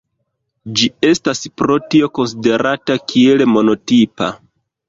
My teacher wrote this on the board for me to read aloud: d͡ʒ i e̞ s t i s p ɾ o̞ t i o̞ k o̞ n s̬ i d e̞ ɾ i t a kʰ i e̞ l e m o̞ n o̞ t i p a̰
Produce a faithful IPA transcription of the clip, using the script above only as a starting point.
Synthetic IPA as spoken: d͡ʒ i e̞ s t a s p ɾ o̞ t i o̞ k o̞ n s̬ i d e̞ ɾ a t a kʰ i e̞ l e m o̞ n o̞ t i p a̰